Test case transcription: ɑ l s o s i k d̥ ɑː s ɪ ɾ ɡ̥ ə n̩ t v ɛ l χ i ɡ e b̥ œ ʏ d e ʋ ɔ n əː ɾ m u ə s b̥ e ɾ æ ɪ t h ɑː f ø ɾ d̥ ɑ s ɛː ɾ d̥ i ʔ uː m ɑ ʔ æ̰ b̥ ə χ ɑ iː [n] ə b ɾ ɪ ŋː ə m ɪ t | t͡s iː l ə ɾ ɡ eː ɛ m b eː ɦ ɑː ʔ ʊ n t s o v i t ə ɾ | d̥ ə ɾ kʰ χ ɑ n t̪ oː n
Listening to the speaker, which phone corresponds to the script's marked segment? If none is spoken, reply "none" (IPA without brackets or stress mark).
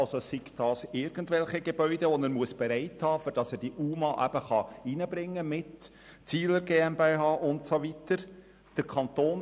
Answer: n